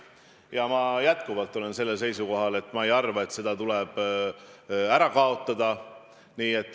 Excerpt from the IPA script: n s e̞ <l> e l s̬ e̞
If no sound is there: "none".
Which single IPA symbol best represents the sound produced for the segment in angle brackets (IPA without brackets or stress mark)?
lː